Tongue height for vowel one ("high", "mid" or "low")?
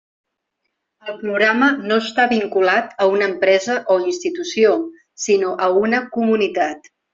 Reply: mid